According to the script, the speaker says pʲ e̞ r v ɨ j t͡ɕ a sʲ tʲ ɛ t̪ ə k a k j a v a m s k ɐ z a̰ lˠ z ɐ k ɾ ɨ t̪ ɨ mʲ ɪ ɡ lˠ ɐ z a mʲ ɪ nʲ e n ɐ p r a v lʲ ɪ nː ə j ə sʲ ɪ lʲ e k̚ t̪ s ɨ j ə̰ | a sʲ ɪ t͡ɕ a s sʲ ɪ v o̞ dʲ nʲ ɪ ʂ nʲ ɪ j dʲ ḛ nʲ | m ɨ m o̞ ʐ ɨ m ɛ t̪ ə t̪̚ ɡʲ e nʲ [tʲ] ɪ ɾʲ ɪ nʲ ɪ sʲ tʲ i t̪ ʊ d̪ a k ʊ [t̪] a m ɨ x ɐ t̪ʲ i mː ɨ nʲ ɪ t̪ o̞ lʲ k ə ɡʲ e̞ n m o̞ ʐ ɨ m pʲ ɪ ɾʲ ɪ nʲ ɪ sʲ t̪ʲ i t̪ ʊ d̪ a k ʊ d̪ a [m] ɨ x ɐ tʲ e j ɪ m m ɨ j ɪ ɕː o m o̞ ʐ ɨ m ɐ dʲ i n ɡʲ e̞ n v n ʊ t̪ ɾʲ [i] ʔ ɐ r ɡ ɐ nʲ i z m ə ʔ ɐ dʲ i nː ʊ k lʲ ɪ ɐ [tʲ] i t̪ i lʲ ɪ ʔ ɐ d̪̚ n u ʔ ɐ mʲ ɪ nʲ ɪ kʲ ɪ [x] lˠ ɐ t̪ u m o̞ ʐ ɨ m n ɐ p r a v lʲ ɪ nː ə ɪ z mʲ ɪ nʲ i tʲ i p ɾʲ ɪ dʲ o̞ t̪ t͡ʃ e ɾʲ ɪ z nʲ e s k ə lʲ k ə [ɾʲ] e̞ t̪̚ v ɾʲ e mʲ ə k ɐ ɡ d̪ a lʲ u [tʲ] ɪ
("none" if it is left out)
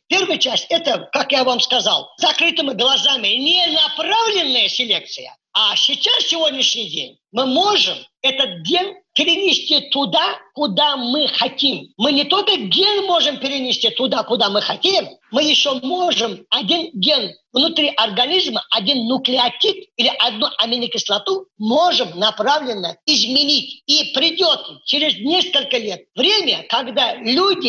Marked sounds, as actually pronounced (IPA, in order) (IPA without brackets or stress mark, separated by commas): pʲ, d̪, m, i, tʲ, s, lʲ, dʲ